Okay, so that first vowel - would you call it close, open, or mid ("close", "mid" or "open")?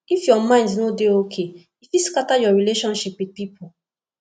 close